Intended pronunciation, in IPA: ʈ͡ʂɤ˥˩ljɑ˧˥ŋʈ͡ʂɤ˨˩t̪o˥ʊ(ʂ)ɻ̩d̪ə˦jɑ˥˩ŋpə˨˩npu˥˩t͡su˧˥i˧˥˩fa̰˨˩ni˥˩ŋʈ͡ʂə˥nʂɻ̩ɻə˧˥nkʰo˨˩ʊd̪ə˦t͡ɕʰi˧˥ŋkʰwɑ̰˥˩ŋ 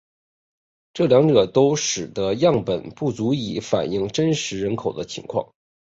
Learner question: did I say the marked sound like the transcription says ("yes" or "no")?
yes